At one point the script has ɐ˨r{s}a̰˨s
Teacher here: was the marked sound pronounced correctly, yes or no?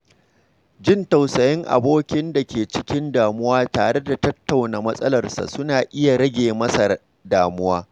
yes